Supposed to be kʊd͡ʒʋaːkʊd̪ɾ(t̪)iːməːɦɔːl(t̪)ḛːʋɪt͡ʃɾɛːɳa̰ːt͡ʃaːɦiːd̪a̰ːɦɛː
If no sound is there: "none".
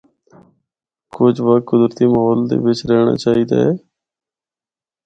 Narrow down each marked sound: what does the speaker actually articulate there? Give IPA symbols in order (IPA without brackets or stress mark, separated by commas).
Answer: t̪, d̪